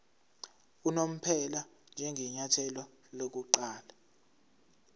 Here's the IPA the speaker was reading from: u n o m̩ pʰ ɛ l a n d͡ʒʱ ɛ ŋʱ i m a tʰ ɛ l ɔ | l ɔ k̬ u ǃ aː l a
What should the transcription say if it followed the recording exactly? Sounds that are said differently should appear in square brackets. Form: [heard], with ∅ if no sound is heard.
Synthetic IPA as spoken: u n o m̩ pʰ ɛ l a n d͡ʒʱ ɛ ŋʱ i [ɲ] a tʰ ɛ l ɔ | l [o] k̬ u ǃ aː l a